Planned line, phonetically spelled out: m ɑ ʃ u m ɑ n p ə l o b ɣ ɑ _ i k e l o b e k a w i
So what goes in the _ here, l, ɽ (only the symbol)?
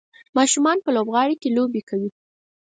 ɽ